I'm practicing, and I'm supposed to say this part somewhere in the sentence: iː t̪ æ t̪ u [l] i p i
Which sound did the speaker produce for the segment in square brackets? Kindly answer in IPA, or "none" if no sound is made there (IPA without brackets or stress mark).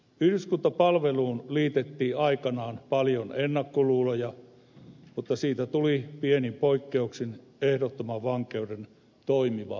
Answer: l